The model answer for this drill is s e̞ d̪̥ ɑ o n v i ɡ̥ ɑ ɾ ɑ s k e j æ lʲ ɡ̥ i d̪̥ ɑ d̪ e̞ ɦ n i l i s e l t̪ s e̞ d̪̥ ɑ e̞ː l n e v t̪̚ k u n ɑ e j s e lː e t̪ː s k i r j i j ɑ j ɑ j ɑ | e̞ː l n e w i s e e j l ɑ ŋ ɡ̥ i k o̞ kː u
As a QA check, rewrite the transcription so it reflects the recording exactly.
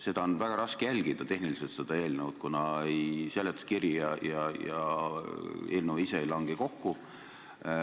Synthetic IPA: s e̞ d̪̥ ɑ o n v æ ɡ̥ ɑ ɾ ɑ s k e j æ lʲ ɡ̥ i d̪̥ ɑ t̪ e̞ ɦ n i l i s e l t̪ s e̞ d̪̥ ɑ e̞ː l n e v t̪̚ k u n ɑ e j s e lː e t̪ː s k i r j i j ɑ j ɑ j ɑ | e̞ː l n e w i s e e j l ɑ ŋ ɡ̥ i k o̞ kː u